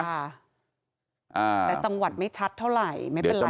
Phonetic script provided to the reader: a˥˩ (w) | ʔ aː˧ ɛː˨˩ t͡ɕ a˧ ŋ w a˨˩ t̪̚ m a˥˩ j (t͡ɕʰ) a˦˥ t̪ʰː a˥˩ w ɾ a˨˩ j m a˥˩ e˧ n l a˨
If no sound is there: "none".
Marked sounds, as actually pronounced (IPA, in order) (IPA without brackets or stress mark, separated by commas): none, t͡ɕʰ